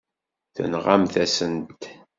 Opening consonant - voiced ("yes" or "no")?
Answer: no